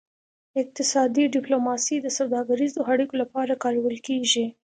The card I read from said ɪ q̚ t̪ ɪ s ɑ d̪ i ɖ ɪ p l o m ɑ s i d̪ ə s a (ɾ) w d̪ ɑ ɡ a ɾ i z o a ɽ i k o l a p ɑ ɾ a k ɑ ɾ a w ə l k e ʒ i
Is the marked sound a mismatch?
yes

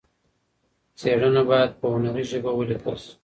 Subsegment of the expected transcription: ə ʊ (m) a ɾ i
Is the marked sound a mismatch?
yes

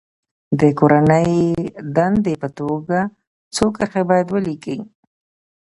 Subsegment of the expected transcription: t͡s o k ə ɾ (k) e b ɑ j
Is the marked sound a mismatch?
yes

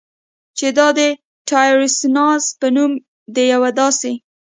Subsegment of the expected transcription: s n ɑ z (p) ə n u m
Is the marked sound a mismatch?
no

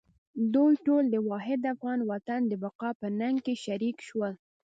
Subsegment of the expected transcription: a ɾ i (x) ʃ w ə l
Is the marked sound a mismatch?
yes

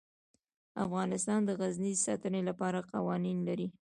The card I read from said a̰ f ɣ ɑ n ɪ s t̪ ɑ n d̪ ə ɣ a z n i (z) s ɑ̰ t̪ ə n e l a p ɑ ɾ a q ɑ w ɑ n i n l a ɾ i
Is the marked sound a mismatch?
no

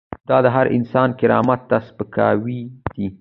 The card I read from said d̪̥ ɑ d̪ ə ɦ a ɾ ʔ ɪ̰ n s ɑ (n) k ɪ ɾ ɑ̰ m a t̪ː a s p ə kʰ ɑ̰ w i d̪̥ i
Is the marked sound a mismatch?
no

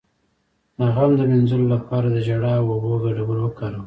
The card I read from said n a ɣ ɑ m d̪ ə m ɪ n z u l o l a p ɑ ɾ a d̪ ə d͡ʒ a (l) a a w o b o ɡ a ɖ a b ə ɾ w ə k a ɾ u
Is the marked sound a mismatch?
yes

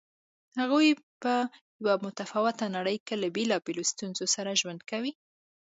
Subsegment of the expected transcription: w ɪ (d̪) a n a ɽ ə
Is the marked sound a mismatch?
yes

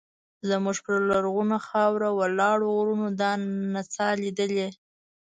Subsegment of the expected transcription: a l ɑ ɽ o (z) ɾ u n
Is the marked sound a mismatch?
yes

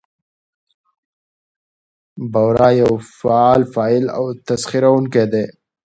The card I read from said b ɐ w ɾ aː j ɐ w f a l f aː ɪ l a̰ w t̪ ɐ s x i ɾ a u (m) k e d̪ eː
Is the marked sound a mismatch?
yes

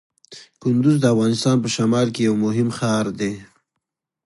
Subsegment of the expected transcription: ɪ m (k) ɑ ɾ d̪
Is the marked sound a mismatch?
yes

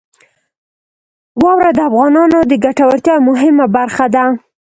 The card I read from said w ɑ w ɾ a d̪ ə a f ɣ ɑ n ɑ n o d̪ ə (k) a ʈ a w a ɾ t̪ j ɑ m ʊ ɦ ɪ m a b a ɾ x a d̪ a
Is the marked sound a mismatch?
yes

